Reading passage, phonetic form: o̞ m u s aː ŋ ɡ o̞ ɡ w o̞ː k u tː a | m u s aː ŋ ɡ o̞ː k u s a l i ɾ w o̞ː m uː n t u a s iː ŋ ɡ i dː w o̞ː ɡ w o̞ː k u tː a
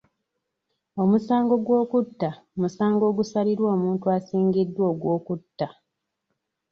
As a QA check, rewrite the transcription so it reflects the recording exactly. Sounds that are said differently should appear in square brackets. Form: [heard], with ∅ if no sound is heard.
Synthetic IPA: o̞ m u s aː ŋ ɡ o̞ ɡ w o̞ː k u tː a | m u s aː ŋ ɡ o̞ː [ɡ] u s a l i ɾ w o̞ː m uː n t u a s iː ŋ ɡ i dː w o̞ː ɡ w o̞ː k u tː a